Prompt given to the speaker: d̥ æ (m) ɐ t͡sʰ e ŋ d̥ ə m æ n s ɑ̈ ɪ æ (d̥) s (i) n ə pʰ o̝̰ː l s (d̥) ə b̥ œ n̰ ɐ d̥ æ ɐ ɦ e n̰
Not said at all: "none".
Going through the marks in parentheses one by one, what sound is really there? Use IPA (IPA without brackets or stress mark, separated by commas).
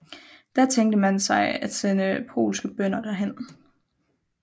none, d̥, e, ɡ̥